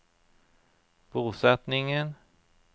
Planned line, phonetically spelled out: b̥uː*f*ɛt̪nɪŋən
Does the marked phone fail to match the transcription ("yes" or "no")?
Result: yes